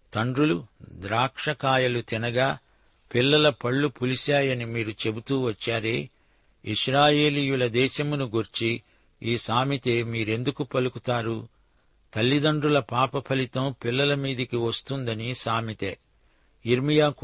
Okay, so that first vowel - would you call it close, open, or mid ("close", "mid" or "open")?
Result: open